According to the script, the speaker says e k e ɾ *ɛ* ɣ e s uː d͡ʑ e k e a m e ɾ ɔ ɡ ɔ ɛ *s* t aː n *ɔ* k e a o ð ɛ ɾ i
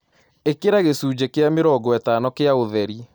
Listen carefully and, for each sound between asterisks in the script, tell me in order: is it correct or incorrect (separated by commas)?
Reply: incorrect, incorrect, correct